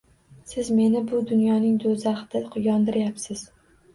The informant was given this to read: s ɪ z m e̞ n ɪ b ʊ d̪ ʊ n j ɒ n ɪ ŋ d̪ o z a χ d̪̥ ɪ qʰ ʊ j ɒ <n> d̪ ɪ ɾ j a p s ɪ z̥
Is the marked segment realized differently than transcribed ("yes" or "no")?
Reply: no